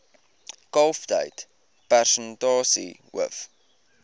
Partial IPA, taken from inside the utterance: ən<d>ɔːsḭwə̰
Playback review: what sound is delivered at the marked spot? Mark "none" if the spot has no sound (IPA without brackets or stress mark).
d